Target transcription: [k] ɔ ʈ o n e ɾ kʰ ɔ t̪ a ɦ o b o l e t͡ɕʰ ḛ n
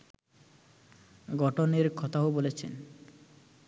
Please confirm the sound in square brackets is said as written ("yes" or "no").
no